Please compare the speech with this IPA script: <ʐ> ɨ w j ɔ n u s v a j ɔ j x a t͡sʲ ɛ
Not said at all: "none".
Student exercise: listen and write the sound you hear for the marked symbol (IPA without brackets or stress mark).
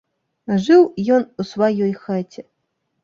ʐ